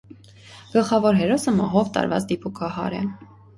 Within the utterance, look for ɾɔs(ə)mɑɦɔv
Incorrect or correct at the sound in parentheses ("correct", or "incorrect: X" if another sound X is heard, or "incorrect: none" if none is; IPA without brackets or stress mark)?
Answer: correct